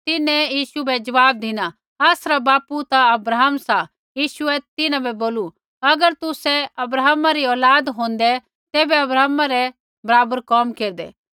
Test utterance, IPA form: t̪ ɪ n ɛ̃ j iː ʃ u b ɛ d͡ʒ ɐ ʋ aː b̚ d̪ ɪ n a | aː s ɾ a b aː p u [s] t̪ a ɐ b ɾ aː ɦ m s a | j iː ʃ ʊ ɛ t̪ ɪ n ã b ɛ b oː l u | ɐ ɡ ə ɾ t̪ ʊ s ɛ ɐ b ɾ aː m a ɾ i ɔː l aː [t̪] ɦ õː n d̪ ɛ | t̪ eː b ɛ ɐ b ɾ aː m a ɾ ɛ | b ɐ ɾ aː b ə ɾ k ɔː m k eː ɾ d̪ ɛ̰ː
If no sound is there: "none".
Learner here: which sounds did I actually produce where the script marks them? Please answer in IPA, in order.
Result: none, d̪

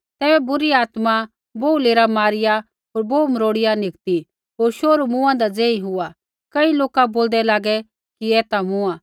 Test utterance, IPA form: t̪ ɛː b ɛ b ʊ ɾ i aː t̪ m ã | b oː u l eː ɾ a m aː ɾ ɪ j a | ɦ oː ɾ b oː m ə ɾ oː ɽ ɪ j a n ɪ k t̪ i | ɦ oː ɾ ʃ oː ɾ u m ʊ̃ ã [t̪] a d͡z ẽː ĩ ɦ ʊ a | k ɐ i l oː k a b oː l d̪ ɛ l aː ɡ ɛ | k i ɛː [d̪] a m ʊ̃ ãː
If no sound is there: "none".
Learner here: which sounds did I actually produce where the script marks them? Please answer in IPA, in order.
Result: d̪, t̪

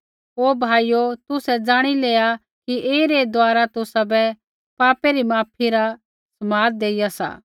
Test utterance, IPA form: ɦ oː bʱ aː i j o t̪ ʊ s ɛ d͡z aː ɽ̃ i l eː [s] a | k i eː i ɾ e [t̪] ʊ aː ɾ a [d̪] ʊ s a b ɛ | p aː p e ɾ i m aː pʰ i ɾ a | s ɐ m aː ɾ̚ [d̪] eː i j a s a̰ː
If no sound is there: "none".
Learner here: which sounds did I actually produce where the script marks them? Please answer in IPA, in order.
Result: none, d̪, t̪, d̪

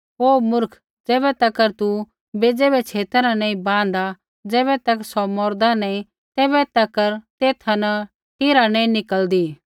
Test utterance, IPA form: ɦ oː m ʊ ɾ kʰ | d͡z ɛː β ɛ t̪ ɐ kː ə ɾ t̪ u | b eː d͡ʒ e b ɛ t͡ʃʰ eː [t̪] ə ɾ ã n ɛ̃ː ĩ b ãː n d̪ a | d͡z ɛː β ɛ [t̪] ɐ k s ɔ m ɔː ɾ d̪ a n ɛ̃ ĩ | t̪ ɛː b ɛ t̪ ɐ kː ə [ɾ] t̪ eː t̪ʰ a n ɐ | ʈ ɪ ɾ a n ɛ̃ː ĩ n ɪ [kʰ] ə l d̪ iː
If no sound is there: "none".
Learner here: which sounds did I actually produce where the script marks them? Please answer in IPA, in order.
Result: t̪, t̪, ɾ, k

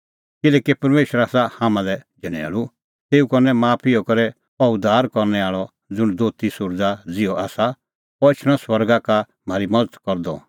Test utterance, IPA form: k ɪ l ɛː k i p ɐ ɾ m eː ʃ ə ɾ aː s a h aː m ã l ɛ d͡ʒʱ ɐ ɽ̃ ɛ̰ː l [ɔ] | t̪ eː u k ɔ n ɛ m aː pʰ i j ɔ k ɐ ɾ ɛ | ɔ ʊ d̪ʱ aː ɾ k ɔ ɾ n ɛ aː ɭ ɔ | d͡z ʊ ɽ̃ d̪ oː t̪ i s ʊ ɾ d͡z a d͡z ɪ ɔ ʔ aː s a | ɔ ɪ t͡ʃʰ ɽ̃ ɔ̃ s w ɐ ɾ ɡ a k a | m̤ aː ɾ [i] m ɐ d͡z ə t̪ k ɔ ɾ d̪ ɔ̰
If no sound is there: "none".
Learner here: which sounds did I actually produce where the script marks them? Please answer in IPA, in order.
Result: u, i

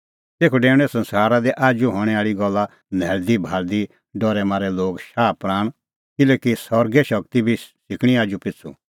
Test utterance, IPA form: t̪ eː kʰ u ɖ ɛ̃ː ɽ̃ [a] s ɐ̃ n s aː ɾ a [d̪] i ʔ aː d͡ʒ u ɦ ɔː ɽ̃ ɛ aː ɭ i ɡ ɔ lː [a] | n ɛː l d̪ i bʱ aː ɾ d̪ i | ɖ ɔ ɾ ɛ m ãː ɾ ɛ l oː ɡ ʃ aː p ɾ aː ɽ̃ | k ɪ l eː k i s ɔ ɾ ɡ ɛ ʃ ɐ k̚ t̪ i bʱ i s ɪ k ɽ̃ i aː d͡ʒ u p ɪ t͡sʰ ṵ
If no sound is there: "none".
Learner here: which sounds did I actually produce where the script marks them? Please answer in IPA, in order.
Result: ɛ, d̪, a

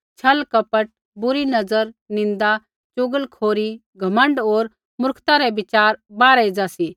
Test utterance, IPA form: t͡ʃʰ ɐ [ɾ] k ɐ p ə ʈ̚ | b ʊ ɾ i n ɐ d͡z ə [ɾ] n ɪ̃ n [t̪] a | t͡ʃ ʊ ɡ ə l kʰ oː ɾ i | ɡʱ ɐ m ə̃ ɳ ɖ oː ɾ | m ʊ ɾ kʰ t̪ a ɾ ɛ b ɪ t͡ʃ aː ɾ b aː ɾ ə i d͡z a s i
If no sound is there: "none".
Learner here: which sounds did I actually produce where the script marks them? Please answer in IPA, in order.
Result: l, ɾ, d̪

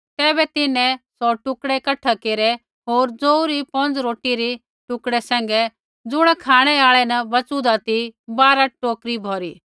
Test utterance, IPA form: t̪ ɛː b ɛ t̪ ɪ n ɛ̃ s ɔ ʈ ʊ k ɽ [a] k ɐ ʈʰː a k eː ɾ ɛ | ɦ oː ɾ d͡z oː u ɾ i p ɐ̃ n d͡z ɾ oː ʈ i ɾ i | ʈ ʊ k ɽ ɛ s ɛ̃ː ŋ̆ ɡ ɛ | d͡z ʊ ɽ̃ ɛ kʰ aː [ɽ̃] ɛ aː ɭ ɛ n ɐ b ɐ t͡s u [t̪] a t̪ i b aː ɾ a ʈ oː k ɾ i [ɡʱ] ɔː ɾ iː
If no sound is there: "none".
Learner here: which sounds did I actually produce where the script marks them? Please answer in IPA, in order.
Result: ɛ, ɽ̃, d̪, bʱ

